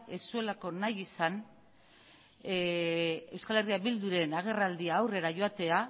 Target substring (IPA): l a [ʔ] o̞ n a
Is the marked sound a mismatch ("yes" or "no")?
yes